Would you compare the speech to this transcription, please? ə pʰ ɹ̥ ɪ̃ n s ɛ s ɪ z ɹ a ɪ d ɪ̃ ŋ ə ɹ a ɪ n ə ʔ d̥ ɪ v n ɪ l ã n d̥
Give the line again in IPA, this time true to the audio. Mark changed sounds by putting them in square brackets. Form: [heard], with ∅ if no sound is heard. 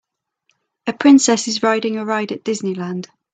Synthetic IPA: ə pʰ ɹ̥ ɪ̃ n s ɛ s ɪ z ɹ a ɪ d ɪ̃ ŋ ə ɹ a ɪ [d] ə ʔ d̥ ɪ [z] n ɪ l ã n d̥

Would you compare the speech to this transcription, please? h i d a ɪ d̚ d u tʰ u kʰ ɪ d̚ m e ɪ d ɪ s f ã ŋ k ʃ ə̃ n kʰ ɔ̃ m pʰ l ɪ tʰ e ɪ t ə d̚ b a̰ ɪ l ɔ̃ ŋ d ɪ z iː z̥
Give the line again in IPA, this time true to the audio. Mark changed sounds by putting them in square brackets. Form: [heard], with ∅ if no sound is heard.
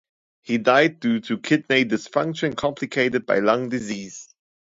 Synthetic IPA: h i d a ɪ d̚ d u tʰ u kʰ ɪ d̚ [n] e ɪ d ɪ s f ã ŋ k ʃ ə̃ n kʰ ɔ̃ m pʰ l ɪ [kʰ] e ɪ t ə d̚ b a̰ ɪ l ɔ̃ ŋ d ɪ z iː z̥

